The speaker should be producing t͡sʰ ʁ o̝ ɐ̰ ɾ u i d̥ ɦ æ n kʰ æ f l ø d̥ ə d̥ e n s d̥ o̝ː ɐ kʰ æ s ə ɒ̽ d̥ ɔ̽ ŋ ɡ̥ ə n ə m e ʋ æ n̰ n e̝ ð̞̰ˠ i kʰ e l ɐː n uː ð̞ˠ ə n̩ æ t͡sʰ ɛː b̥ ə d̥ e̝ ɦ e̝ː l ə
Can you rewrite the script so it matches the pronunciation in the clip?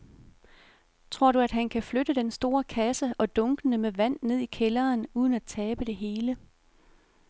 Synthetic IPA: t͡sʰ ʁ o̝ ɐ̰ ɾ u æ d̥ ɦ æ n kʰ æ f l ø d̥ ə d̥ e n s d̥ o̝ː ɐ kʰ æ s ə ɒ̽ d̥ ɔ̽ ŋ ɡ̥ ə n ə m e ʋ æ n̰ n e̝ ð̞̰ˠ i kʰ e l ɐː n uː ð̞ˠ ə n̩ æ t͡sʰ ɛː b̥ ə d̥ e̝ ɦ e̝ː l ə